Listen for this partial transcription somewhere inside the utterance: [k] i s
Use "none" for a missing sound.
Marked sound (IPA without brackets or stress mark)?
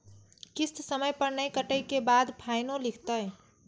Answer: k